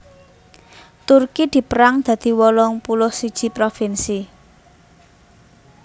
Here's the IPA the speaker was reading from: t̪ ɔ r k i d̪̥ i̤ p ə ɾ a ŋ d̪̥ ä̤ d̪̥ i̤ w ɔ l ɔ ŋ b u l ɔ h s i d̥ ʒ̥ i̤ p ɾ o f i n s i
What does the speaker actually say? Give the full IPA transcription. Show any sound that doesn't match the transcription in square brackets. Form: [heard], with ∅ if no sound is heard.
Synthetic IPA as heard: t̪ [u] r k i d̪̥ i̤ p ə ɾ a ŋ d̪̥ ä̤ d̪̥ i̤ w ɔ l ɔ ŋ [p] u l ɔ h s i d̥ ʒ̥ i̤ p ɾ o f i n s i